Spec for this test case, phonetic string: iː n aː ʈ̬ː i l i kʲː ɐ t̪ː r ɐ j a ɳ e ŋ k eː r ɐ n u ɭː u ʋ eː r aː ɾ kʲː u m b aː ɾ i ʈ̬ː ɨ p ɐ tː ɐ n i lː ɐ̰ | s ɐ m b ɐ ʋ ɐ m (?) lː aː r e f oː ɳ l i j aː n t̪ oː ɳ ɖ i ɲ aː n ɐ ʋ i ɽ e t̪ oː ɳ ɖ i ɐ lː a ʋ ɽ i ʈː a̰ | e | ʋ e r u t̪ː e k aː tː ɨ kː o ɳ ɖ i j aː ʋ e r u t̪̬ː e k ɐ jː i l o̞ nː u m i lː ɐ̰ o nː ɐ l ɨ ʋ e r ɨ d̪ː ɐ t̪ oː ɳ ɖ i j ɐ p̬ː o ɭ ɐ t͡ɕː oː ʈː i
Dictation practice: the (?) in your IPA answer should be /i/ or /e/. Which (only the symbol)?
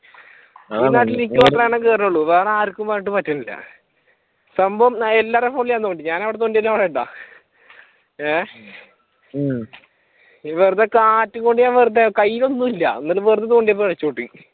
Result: e